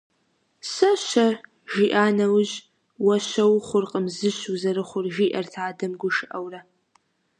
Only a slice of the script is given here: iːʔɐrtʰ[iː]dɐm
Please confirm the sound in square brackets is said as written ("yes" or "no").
no